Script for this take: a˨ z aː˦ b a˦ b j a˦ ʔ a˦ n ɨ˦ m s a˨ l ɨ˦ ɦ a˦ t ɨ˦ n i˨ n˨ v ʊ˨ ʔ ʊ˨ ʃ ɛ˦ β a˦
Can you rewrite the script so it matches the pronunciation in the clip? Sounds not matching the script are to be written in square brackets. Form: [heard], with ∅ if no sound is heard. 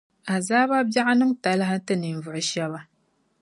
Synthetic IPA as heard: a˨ z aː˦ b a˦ b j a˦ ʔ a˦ n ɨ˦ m [t] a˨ l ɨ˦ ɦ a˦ t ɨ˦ n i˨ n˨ v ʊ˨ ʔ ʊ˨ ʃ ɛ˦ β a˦